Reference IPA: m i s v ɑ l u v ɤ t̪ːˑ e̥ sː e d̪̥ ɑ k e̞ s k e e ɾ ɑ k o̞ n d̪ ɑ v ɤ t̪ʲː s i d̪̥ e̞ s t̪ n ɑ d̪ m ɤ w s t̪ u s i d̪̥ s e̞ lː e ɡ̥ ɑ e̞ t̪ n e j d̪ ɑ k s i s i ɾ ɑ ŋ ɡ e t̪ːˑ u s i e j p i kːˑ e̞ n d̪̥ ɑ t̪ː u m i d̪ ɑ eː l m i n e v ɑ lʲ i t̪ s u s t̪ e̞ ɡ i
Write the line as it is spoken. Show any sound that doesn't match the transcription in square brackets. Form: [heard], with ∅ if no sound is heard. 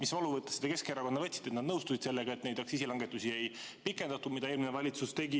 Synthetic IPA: m i s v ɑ l u v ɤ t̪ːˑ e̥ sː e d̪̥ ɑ k e̞ s k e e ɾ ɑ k o̞ n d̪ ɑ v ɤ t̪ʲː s i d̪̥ e̞ [∅] t̪ n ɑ d̪ [n] ɤ w s t̪ u s i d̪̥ s e̞ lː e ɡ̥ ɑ e̞ t̪ n e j d̪ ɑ k s i s i [l] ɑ ŋ ɡ e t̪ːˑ u s i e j p i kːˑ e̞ n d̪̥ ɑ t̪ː u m i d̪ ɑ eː l m i n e v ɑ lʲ i t̪ s u s t̪ e̞ ɡ i